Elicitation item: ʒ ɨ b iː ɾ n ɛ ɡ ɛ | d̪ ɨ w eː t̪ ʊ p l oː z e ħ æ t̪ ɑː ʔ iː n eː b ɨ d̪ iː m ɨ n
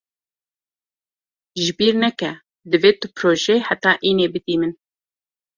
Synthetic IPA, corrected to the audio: ʒ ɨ b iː ɾ n ɛ k ɛ | d̪ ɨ v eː t̪ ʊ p ɾ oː ʒ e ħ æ t̪ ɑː ʔ iː n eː b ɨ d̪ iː m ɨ n